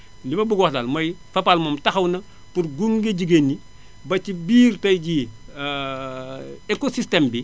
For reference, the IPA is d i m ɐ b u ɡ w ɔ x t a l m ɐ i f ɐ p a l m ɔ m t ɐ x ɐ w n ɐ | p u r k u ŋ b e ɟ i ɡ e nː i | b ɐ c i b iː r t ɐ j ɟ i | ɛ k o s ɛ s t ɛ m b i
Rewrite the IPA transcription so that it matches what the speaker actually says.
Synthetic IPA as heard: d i m ɐ b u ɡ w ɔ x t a l m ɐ j f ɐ p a l m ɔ m t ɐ x ɐ w n ɐ | p u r ɡ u ŋ ɡ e ɟ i ɡ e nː i | b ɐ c i b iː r t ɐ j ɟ i | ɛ k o s i s t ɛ m b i